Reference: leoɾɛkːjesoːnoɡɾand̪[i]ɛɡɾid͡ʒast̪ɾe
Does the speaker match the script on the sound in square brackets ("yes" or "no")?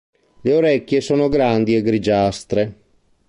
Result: yes